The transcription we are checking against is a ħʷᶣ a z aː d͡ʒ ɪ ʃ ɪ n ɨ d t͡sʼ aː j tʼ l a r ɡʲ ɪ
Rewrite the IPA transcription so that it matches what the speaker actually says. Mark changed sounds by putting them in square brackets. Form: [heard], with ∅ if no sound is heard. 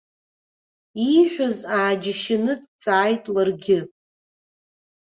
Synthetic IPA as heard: [i] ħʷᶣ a z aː d͡ʒ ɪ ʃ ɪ n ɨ d t͡sʼ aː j tʼ l a r ɡʲ ɪ